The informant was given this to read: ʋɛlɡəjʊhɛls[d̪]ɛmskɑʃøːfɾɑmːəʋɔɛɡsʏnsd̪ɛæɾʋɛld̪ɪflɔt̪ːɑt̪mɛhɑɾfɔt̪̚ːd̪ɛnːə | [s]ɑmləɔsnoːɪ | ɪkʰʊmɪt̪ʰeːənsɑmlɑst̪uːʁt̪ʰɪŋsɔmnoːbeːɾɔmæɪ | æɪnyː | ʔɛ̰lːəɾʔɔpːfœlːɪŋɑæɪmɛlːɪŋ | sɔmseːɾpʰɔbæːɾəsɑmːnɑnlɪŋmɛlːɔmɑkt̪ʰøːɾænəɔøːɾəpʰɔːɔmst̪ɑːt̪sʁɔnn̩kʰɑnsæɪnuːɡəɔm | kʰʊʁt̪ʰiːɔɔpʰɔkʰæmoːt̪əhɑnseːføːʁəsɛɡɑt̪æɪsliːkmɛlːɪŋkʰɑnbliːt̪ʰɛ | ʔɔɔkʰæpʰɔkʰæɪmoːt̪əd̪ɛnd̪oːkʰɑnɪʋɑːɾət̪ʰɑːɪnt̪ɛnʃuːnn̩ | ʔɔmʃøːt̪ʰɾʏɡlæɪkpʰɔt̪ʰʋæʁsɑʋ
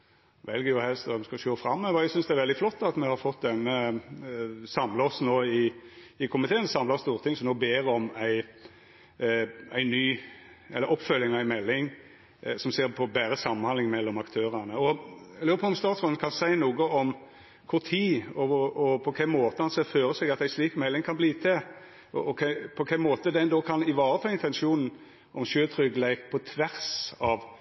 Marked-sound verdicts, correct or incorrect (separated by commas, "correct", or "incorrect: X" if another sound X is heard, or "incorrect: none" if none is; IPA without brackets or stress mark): incorrect: t̪, correct